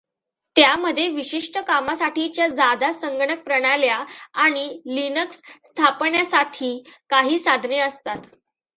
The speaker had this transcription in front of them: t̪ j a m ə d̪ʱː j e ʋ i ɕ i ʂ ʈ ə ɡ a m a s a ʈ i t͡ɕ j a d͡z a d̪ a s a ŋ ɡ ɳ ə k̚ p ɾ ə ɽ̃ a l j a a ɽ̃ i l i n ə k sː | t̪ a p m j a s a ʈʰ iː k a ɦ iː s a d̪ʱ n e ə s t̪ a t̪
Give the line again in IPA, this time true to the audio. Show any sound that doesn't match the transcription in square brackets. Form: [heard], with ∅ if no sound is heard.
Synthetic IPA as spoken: t̪ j a m ə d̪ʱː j e ʋ i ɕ i ʂ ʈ ə [k] a m a s a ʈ i t͡ɕ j a d͡z a d̪ a s [ə] ŋ ɡ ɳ ə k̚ p ɾ ə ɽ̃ a l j a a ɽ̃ i l i n ə k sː | [t̪ʰ] a p [ɳ] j a s a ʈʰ iː k a ɦ iː s a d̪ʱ n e ə s t̪ a t̪